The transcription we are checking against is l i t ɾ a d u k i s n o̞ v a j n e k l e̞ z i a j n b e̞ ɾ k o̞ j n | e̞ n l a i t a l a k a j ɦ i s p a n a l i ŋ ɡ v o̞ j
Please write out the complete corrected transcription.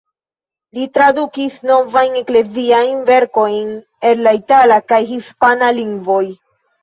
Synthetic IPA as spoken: l i t ɾ a d u k i s n o̞ v a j n e k l e̞ z i a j n v e̞ ɾ k o̞ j n | e̞ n l a i t a l a k a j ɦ i s p a n a l i ŋ ɡ v o̞ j